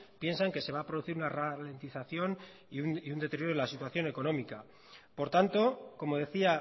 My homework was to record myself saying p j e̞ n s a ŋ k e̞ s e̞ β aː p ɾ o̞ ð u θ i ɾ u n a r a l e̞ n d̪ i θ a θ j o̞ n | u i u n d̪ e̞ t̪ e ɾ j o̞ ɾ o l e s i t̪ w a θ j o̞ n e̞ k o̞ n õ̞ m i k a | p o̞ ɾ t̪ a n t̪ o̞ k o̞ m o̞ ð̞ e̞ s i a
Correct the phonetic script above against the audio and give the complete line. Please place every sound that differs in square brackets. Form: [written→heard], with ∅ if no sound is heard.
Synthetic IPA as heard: p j e̞ n s a ŋ k e̞ s e̞ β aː p ɾ o̞ ð u θ i ɾ u n a r a l e̞ n [d̪→t̪] i θ a θ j o̞ n | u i u n d̪ e̞ t̪ e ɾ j o̞ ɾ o l [e→a] s i t̪ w a θ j o̞ n e̞ k o̞ n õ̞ m i k a | p o̞ ɾ t̪ a n t̪ o̞ k o̞ m o̞ ð̞ e̞ [s→θ] i a